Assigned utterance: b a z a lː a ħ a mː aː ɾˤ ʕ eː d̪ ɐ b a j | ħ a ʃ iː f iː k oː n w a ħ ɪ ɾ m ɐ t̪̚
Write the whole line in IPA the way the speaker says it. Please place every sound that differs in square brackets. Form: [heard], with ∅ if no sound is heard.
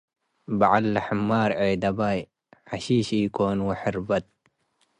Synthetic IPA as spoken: b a [ʕ] a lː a ħ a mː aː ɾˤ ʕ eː d̪ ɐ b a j | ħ a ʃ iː [ʃ] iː k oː n w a ħ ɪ ɾ [b] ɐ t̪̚